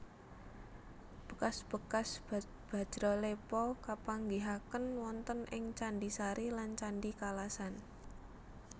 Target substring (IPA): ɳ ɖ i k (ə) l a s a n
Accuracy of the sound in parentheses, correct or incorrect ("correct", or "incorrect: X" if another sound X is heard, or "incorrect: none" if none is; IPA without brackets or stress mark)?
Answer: incorrect: a